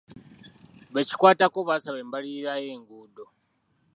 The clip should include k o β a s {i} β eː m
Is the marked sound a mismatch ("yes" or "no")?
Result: yes